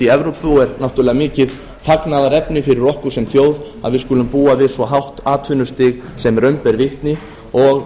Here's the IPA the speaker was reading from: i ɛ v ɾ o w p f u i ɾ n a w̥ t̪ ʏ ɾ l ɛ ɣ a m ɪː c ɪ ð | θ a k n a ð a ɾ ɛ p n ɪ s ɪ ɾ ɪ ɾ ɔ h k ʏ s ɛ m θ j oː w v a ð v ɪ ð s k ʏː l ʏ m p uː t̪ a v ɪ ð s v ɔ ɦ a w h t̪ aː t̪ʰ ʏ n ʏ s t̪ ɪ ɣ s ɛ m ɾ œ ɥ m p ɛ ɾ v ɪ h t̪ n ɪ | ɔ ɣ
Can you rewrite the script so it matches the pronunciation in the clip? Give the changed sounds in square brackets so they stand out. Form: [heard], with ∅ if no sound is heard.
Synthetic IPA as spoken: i ɛ v ɾ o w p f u [ɛ] ɾ n a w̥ t̪ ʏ ɾ l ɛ ɣ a m ɪː c ɪ ð | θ a k n a ð a ɾ ɛ p n ɪ [f] ɪ ɾ ɪ ɾ ɔ h k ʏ s ɛ m θ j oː w [ð] a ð v ɪ ð s k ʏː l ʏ m p uː [∅] a v ɪ ð s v ɔ ɦ a w h t̪ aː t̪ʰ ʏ n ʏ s t̪ ɪ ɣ s ɛ m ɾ œ ɥ m p ɛ ɾ v ɪ h t̪ n ɪ | ɔ ɣ

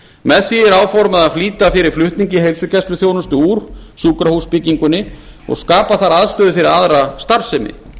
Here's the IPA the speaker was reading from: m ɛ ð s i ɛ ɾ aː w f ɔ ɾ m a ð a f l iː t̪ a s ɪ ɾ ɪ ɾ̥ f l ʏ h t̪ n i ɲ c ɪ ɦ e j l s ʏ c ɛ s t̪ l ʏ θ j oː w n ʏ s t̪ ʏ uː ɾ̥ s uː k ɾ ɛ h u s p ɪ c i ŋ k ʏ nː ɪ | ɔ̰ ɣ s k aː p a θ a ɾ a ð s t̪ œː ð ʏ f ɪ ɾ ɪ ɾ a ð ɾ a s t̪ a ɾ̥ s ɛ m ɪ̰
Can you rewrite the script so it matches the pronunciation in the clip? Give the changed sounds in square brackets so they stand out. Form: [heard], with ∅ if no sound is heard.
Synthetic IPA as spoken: m ɛ ð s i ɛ ɾ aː w f ɔ ɾ m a ð a f l iː t̪ a [f] ɪ ɾ ɪ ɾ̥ f l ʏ h t̪ n i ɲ c ɪ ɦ e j l s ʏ c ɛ s t̪ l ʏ θ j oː w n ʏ s t̪ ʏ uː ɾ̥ s uː k ɾ [a] h u s p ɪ c i ŋ k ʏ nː ɪ | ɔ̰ ɣ s k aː p a θ a ɾ a ð s t̪ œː ð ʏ f ɪ ɾ ɪ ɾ a ð ɾ a s t̪ a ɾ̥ s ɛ m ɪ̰

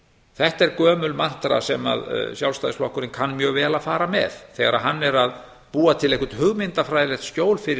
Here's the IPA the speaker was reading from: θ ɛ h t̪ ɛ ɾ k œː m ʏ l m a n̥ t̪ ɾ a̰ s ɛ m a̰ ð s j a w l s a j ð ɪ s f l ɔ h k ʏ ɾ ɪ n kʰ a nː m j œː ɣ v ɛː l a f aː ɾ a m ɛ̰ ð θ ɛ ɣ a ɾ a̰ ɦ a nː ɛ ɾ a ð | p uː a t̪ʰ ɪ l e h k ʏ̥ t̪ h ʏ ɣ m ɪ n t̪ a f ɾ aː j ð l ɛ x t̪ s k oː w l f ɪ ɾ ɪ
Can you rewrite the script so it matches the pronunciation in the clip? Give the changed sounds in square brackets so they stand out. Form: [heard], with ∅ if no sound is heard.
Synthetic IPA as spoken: θ ɛ h t̪ ɛ ɾ k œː m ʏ l m a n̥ t̪ ɾ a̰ s ɛ m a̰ ð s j a w l s a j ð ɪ s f l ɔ h k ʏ ɾ ɪ n kʰ a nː m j œː ɣ v ɛː l a f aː ɾ a m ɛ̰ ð θ ɛ ɣ a ɾ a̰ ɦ a nː ɛ ɾ a ð | p uː a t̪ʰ ɪ l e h k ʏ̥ t̪ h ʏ ɣ m ɪ n t̪ a f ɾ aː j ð l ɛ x t̪ s [c] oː w l f ɪ ɾ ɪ

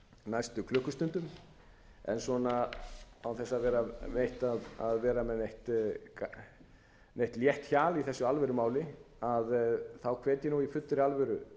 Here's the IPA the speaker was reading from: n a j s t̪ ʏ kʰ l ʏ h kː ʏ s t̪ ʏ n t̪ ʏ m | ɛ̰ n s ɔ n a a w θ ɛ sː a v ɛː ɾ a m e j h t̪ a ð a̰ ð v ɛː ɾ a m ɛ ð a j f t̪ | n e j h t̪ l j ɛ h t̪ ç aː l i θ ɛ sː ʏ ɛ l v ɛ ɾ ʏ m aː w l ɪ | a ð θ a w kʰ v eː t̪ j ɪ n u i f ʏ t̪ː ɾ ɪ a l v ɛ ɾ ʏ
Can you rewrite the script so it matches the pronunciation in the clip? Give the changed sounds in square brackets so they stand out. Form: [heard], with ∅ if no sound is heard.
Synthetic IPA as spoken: n a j s t̪ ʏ kʰ l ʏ h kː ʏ s t̪ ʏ n t̪ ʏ m | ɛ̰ n s ɔ n a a w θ ɛ sː a v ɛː ɾ a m e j h t̪ a ð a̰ ð v ɛː ɾ a m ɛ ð [e] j [h] t̪ | n e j h t̪ l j ɛ h t̪ ç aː l i θ ɛ sː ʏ [a] l v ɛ ɾ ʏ m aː w l ɪ | a ð θ a w kʰ v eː t̪ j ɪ n u i f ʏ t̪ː ɾ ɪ a l v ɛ ɾ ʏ

